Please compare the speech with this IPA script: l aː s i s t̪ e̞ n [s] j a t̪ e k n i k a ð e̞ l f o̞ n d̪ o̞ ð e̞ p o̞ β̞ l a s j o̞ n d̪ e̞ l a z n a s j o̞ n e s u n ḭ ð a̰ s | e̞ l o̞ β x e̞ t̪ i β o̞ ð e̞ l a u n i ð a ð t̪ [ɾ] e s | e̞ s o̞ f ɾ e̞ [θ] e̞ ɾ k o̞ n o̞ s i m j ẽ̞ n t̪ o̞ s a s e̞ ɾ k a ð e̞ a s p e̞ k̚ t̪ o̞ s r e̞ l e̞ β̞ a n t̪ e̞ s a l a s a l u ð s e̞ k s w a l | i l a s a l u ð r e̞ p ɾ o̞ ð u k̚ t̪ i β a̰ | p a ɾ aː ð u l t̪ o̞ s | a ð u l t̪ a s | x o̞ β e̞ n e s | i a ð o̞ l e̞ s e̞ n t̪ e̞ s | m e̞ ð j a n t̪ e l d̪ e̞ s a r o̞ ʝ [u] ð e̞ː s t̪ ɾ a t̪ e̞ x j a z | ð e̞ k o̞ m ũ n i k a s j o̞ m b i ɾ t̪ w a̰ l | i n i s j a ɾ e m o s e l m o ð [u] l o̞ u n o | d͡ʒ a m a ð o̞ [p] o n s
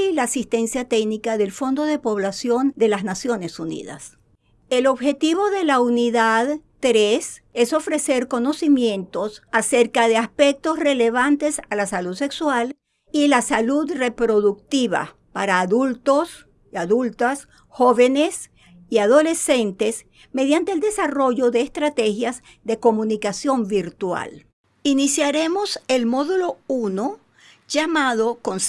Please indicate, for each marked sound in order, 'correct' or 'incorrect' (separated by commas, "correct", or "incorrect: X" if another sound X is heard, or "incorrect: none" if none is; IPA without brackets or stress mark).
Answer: correct, correct, incorrect: s, incorrect: o, correct, incorrect: k